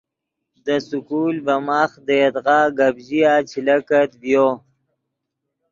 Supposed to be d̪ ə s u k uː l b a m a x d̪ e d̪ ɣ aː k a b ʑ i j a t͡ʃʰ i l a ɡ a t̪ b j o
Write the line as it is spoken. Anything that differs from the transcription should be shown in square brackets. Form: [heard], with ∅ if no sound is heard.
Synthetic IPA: d̪ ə s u k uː l b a m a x d̪ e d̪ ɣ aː [ɡ] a b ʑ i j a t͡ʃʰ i l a [k] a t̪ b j o